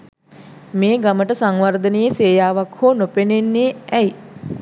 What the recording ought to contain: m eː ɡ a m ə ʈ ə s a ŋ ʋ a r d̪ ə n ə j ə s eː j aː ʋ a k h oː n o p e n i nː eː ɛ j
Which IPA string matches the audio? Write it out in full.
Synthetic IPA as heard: m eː ɡ a m ə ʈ ə s a ŋ ʋ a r d̪ ə n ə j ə s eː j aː ʋ a k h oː n o p e n e nː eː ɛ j